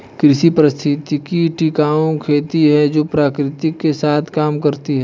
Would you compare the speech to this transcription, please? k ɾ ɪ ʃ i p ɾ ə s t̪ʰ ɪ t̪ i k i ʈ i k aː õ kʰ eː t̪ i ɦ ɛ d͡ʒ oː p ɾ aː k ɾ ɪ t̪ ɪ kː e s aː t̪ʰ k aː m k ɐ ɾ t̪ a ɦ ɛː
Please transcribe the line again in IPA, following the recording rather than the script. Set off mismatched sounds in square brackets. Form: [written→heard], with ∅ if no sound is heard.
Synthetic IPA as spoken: k ɾ ɪ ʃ i p ɾ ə s t̪ʰ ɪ t̪ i k i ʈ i k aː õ kʰ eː t̪ i ɦ ɛ d͡ʒ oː p ɾ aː k ɾ ɪ t̪ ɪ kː e s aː t̪ʰ k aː m k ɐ ɾ t̪ [a→i] ɦ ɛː